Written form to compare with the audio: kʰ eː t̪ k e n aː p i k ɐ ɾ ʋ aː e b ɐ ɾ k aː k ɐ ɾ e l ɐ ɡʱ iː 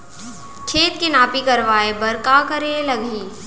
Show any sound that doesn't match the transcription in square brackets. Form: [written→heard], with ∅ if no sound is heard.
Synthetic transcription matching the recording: kʰ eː t̪ k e n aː p i k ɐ ɾ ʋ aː e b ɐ ɾ k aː k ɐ ɾ e l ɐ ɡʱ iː